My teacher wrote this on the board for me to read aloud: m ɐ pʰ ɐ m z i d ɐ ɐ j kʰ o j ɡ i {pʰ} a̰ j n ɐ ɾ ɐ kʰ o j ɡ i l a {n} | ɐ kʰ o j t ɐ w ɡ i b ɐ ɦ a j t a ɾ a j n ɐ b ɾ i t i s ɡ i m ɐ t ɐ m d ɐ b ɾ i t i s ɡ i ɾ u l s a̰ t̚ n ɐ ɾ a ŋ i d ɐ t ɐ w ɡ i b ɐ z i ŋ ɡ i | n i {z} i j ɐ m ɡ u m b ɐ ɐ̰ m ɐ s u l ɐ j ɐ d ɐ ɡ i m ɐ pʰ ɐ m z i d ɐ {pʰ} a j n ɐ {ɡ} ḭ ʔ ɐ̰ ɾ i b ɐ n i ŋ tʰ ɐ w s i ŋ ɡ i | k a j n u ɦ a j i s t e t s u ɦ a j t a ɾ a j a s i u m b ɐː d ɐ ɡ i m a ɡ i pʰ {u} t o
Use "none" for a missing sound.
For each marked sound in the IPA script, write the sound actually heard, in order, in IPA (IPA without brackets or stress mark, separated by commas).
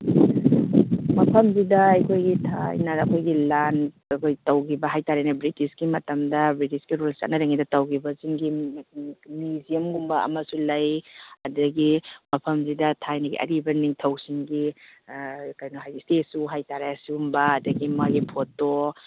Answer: tʰ, n, z, tʰ, ɡ, o